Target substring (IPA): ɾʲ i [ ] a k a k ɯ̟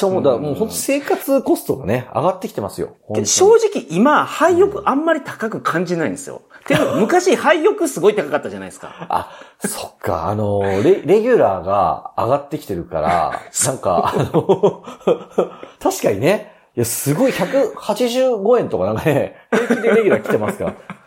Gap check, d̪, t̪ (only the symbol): t̪